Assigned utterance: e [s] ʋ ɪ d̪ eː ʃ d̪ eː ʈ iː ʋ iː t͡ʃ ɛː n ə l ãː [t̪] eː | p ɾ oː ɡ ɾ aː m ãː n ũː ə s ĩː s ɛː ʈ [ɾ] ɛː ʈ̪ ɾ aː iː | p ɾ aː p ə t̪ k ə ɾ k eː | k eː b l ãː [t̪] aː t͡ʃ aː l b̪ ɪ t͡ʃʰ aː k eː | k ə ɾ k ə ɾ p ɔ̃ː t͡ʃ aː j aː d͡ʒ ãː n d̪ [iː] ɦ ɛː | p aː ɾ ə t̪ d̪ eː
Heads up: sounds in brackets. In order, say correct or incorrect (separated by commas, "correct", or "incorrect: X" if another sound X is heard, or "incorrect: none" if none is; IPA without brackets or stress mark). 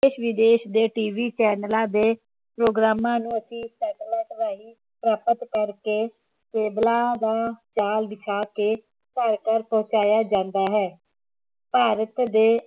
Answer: incorrect: ʃ, incorrect: d̪, incorrect: l, incorrect: d̪, incorrect: aː